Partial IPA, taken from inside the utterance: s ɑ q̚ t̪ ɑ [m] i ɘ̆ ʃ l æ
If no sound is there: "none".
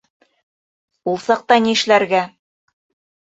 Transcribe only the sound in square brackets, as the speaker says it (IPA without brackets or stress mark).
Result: n